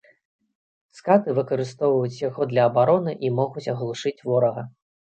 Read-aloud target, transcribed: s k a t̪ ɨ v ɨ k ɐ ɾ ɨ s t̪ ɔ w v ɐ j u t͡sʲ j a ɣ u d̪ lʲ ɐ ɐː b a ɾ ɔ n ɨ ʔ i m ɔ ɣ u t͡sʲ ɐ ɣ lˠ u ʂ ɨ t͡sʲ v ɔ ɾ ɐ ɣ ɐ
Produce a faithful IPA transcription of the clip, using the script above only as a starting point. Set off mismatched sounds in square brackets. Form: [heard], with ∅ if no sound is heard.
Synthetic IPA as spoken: s k a t̪ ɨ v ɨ k ɐ ɾ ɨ s t̪ ɔ w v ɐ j u t͡sʲ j a ɣ [ɔ] d̪ lʲ ɐ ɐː b a ɾ ɔ n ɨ ʔ i m ɔ ɣ u t͡sʲ ɐ ɣ lˠ u ʂ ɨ t͡sʲ v ɔ ɾ ɐ ɣ ɐ